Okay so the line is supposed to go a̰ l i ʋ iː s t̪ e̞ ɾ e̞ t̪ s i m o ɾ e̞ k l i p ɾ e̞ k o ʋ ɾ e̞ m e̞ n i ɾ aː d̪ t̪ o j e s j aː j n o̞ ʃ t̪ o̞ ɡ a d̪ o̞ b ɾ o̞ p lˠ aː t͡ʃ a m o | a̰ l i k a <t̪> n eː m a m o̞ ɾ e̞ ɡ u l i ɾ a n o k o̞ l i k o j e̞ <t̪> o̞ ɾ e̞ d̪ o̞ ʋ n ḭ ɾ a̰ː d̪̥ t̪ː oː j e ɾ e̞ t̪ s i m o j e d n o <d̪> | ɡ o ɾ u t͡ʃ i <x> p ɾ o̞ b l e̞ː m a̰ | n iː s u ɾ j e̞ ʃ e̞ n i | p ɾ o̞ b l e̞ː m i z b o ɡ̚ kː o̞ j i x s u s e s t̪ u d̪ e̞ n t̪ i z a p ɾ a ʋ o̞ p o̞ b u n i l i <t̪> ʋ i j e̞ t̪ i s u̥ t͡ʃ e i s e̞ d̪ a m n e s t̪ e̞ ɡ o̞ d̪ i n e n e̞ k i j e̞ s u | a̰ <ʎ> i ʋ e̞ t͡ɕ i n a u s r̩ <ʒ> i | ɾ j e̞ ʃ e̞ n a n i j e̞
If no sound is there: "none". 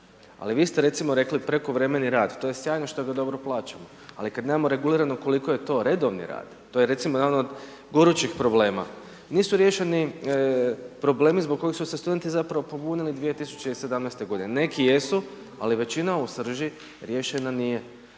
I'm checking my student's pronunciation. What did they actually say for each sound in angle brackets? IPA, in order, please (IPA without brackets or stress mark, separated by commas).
d̪, t̪, d̪, x, d̪, l, ʒ